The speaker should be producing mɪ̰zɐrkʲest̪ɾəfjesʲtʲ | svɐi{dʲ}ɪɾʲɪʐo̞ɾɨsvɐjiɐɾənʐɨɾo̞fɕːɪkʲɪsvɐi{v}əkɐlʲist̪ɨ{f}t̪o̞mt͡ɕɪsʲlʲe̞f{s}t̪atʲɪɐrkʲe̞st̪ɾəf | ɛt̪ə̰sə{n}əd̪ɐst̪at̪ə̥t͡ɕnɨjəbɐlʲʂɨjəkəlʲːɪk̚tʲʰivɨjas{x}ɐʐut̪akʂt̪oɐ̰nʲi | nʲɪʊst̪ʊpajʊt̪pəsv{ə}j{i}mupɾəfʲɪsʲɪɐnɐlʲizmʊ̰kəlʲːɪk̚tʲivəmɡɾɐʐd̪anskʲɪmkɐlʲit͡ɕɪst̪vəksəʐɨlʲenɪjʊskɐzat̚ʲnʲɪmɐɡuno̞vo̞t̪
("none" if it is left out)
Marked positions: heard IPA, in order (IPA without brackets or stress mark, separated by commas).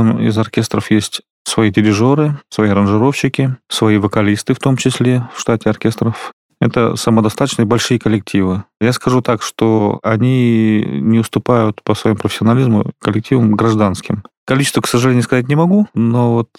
dʲ, v, f, ʂ, m, k, ɐ, i